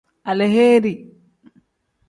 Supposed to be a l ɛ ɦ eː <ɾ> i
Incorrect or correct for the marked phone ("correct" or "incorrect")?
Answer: correct